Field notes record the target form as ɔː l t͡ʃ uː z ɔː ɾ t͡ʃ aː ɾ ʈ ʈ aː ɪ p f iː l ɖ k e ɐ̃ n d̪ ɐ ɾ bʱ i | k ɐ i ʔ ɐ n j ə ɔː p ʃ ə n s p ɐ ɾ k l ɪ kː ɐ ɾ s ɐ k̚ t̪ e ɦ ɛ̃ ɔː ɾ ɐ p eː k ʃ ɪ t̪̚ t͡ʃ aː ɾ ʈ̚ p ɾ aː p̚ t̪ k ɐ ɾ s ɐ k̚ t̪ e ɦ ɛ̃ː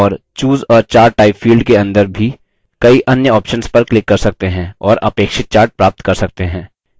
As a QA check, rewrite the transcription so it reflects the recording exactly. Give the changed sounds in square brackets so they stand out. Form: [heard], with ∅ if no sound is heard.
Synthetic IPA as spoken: ɔː [ɾ] t͡ʃ uː z ɔː ɾ t͡ʃ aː ɾ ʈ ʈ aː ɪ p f iː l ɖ k e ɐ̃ n d̪ [ə] ɾ bʱ i | k ɐ i ʔ ɐ n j ə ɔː p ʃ ə n s p ɐ ɾ k l ɪ kː ɐ ɾ s ɐ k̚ t̪ e ɦ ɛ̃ ɔː ɾ ɐ p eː k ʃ ɪ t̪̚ t͡ʃ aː ɾ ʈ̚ p ɾ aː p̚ t̪ k ɐ ɾ s ɐ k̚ t̪ e ɦ ɛ̃ː